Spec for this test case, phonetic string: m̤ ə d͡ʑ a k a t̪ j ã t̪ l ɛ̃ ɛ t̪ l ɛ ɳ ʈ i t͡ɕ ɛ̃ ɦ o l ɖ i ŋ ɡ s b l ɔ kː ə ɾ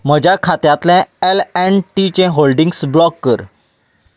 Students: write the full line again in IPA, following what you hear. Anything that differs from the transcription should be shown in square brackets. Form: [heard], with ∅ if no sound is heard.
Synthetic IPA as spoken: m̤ ə d͡ʑ a [kʰ] a t̪ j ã t̪ l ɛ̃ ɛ [∅] l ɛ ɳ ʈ i t͡ɕ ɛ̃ ɦ o l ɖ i ŋ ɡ s b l ɔ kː ə ɾ